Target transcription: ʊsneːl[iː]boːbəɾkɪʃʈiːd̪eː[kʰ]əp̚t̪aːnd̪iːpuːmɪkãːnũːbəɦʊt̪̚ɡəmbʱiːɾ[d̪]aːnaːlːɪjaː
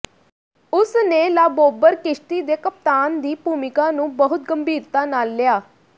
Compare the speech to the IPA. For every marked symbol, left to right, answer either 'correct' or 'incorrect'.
incorrect: aː, incorrect: k, incorrect: t̪

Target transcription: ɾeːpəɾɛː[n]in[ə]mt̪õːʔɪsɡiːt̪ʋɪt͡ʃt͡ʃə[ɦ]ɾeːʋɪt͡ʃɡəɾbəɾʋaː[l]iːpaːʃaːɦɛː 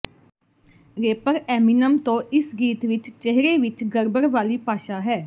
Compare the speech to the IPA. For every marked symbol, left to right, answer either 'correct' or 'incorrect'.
incorrect: m, correct, correct, correct

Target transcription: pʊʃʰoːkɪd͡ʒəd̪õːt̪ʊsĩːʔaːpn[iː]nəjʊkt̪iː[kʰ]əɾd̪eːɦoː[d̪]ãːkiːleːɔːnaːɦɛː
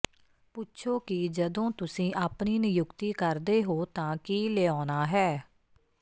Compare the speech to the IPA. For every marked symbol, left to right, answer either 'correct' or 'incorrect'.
correct, incorrect: k, incorrect: t̪

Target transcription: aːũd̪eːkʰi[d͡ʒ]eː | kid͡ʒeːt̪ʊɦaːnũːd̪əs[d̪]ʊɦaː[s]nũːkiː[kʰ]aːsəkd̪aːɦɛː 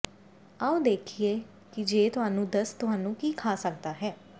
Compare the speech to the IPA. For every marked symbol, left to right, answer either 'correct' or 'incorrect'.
incorrect: none, incorrect: t̪, incorrect: none, correct

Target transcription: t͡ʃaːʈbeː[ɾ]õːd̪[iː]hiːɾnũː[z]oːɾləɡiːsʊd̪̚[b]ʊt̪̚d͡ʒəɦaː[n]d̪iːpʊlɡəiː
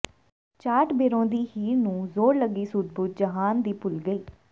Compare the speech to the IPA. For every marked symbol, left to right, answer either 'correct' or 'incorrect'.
correct, correct, correct, correct, correct

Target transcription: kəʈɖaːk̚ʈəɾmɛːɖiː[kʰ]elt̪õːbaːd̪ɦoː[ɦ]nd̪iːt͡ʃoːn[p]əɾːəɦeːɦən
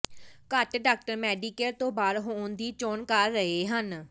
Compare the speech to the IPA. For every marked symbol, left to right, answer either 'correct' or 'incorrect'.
incorrect: k, incorrect: none, incorrect: k

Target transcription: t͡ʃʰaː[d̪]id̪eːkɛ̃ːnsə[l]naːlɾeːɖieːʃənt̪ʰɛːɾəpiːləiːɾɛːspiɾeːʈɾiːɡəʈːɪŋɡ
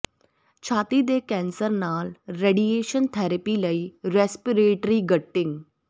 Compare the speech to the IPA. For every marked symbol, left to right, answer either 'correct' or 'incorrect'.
incorrect: t̪, incorrect: ɾ

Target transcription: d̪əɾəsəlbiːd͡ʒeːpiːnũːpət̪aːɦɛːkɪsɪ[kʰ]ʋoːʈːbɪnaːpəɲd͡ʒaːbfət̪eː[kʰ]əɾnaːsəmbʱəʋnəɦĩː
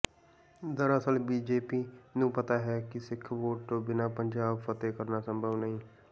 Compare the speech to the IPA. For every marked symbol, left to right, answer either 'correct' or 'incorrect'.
correct, incorrect: k

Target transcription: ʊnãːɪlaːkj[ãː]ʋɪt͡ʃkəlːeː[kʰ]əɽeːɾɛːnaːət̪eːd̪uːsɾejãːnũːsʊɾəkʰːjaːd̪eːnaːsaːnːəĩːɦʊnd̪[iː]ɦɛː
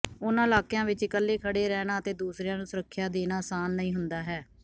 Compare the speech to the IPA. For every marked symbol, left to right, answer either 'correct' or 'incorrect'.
correct, correct, incorrect: aː

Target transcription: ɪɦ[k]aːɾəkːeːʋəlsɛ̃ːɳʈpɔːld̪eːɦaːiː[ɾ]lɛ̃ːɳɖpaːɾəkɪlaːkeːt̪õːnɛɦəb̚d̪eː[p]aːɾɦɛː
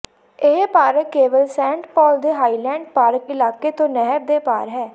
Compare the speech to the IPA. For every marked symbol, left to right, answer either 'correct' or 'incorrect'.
incorrect: p, incorrect: none, correct

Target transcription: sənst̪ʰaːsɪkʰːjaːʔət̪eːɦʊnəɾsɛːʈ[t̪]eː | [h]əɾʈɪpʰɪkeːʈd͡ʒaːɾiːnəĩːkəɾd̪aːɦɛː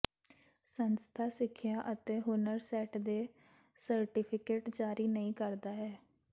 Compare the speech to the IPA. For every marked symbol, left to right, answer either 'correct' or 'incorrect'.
incorrect: d̪, incorrect: s

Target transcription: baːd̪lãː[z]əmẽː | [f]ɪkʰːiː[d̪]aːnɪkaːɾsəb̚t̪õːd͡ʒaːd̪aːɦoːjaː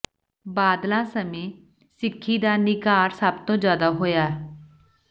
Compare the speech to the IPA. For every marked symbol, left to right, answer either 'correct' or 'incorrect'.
incorrect: s, incorrect: s, correct

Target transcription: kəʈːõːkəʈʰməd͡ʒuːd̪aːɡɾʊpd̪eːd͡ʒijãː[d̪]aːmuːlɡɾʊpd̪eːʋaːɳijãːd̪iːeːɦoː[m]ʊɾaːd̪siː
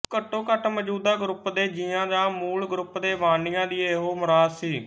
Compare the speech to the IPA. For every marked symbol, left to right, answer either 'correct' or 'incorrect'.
correct, correct

